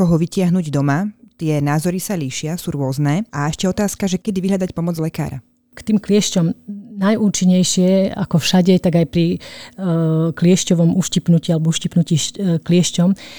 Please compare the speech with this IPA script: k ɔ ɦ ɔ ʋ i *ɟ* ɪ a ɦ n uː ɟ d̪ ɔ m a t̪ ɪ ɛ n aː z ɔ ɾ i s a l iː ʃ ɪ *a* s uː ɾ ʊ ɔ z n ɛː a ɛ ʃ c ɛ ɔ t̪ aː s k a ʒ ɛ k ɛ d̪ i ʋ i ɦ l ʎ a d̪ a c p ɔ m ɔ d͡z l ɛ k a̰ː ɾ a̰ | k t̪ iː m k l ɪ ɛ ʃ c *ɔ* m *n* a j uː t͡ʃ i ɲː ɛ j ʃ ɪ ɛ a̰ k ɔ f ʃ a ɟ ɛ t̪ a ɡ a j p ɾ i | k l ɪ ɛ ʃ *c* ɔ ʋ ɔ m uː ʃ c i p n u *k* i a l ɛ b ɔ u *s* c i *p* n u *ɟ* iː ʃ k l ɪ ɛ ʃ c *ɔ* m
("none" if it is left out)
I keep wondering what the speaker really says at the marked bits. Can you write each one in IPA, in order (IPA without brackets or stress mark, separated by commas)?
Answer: c, a, ɔ, n, c, c, ʃ, p, c, ɔ